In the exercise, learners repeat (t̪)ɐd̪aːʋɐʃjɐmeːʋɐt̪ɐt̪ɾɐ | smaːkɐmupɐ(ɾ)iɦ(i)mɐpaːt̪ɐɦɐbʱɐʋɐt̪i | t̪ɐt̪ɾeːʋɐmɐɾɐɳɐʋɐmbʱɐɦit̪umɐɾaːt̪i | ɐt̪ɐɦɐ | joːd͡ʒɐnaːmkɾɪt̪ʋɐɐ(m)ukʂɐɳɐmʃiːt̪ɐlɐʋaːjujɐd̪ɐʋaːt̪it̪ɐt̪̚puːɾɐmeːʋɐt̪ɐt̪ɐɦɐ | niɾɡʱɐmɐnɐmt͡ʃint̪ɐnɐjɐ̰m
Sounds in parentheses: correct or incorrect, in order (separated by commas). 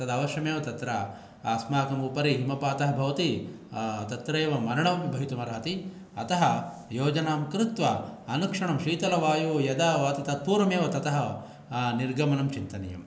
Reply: correct, correct, correct, incorrect